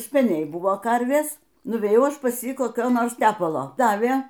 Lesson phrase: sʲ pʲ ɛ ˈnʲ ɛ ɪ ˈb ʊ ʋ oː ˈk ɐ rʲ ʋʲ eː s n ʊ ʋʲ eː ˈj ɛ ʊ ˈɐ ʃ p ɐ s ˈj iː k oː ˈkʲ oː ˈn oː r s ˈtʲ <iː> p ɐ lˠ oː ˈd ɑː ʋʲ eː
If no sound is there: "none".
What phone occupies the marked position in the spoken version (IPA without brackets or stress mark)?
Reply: æː